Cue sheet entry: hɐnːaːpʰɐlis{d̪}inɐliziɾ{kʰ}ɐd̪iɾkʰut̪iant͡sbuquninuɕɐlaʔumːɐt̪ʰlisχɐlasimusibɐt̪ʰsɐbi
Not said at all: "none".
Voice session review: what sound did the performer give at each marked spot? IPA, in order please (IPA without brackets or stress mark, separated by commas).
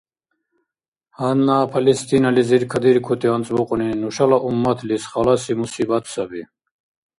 t̪, kʰ